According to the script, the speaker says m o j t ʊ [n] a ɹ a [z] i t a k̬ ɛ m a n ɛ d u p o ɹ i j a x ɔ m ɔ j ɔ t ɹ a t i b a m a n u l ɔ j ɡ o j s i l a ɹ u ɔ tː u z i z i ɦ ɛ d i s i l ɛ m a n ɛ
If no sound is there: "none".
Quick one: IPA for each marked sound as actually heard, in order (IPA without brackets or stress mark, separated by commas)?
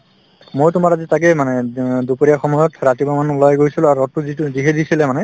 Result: m, z